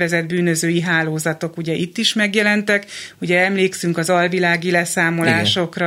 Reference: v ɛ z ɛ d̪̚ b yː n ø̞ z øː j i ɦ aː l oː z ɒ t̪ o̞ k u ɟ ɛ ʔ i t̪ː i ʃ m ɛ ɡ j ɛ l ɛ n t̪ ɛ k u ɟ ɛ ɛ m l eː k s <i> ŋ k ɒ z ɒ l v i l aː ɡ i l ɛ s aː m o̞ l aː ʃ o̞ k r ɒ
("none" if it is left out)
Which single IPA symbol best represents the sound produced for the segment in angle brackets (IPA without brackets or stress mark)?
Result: y